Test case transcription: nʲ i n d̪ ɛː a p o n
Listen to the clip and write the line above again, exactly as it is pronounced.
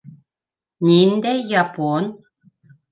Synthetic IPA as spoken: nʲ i n d̪ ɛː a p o n